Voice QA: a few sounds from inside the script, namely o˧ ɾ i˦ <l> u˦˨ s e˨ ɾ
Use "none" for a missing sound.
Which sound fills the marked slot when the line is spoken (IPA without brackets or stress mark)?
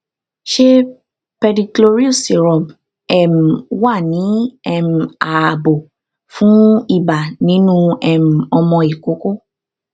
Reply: none